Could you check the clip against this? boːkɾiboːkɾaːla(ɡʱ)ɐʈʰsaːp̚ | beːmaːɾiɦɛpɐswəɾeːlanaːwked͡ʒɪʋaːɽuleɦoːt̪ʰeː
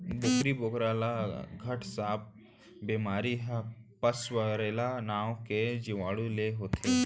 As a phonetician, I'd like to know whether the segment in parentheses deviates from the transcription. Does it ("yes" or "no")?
no